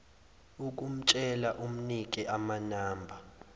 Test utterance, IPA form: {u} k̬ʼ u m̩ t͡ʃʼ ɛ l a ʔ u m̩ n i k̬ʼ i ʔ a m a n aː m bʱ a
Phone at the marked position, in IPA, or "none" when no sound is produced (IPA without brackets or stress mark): u